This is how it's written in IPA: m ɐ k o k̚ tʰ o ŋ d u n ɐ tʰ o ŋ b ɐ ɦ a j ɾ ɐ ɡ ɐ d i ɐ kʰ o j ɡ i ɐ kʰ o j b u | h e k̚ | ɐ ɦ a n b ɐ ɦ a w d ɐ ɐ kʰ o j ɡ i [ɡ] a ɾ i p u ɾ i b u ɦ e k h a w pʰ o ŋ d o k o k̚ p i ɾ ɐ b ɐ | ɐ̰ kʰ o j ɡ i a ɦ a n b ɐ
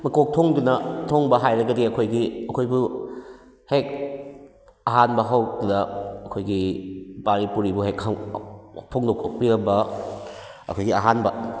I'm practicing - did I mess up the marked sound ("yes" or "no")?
yes